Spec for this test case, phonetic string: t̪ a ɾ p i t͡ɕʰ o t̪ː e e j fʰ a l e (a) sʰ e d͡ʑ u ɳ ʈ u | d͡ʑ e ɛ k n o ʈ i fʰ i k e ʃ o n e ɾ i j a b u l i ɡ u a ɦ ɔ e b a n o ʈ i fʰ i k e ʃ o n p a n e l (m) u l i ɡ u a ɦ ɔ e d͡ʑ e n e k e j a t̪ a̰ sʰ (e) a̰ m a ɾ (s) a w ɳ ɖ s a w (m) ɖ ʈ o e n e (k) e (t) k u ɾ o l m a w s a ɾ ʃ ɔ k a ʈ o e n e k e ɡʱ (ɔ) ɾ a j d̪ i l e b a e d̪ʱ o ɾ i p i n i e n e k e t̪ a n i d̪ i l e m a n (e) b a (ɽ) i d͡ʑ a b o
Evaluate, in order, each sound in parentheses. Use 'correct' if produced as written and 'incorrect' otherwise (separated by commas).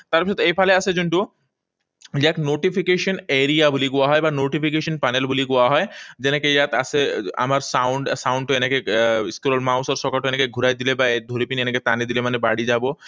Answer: correct, incorrect, correct, correct, incorrect, correct, incorrect, incorrect, correct, correct